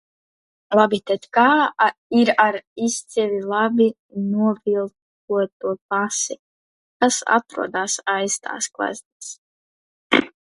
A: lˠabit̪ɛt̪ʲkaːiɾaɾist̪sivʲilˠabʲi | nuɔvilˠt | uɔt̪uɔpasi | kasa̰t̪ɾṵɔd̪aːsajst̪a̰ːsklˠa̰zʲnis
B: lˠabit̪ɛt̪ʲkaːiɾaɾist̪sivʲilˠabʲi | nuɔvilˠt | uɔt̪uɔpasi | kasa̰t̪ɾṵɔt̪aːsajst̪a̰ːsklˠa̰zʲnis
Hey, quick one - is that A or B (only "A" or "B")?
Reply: A